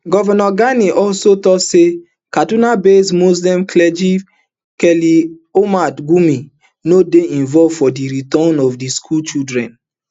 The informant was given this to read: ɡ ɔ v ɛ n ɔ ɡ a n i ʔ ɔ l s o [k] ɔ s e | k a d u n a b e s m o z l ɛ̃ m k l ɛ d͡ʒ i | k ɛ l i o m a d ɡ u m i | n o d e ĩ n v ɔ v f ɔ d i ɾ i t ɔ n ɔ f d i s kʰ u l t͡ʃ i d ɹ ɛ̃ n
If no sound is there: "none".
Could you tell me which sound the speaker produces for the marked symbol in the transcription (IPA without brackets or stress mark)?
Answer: t